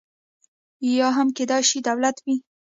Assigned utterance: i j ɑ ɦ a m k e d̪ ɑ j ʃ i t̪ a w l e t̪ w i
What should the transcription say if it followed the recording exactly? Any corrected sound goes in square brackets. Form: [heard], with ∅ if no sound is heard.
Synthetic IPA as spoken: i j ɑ ɦ a m k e d̪ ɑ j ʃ i [d̪] a w l [a] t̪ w i